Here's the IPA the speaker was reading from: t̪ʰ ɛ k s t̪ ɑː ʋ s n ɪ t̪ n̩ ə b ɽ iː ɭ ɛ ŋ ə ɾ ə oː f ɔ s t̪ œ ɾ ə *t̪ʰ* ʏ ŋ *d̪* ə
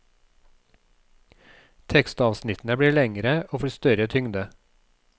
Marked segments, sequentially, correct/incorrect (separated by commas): correct, correct